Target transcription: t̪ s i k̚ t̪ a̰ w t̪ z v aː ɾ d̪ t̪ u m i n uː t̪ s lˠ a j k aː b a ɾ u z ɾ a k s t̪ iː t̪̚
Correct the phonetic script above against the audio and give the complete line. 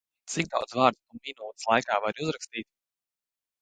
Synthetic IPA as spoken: t̪ s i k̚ d̪ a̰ w d̪ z v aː ɾ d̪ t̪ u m i n uː t̪ s lˠ a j k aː v a ɾ u z ɾ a k s t̪ iː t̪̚